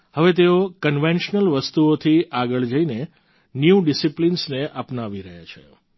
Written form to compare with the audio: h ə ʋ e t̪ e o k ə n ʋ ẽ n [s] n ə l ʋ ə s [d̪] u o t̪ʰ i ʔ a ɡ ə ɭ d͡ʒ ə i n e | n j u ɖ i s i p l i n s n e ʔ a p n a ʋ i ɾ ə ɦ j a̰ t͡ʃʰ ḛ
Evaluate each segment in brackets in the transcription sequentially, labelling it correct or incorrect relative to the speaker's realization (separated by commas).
incorrect, incorrect